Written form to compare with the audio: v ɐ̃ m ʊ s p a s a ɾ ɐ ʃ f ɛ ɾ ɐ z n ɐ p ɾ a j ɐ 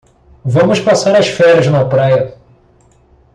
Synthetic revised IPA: v ɐ̃ m ʊ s p a s a ɾ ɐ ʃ f ɛ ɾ ɐ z n ɐ p ɾ a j ɐ